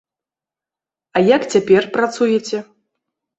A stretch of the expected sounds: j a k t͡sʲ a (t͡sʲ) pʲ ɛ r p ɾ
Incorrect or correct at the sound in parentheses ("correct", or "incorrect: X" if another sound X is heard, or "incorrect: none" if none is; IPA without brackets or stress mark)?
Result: incorrect: none